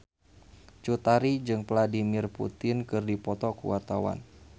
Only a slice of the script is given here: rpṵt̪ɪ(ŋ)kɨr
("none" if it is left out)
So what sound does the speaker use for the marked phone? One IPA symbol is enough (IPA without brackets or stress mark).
n